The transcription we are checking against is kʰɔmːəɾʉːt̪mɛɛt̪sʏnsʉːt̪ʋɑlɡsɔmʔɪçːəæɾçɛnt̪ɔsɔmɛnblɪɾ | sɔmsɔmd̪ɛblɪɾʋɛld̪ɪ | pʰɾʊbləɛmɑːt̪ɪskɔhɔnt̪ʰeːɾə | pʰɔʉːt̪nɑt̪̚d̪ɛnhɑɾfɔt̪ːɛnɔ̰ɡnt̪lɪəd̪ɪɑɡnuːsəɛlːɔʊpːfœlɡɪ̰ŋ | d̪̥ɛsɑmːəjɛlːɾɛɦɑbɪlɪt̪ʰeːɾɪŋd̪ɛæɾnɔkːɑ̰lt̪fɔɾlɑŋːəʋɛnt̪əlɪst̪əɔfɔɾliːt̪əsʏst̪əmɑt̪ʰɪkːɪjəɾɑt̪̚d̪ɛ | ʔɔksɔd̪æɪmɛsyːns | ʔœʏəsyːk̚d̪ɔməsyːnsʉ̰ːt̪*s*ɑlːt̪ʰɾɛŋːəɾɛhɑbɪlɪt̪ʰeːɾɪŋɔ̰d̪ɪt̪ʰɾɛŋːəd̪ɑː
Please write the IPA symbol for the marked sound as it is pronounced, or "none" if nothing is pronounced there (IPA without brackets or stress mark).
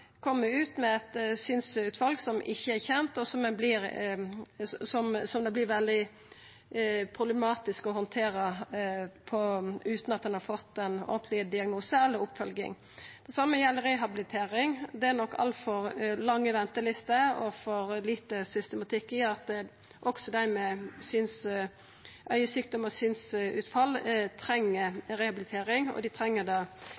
f